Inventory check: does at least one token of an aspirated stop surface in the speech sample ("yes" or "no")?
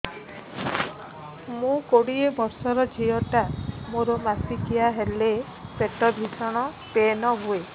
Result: no